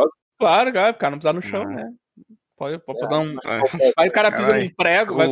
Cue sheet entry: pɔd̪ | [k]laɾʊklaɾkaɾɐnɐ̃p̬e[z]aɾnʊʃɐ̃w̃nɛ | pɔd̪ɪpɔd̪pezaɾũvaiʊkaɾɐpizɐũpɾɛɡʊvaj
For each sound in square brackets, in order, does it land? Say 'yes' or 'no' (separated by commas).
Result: yes, yes